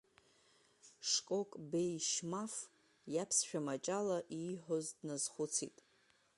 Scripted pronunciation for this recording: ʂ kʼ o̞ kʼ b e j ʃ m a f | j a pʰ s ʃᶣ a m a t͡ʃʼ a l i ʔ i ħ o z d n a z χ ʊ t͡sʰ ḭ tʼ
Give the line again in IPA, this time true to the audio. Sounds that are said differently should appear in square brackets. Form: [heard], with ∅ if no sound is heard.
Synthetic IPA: ʂ kʼ o̞ kʼ b e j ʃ m a f | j a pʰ s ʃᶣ a m a t͡ʃʼ a l [a] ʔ i ħ o z d n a z χ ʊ t͡sʰ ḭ tʼ